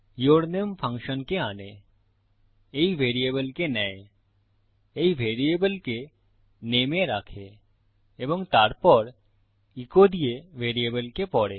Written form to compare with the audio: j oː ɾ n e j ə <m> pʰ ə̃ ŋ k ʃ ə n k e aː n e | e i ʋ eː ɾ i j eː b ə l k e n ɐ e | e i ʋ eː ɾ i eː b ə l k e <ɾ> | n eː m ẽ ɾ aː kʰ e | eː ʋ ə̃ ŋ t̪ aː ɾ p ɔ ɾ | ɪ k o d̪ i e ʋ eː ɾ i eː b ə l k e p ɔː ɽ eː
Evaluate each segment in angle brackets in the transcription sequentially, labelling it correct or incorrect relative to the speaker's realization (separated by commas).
correct, incorrect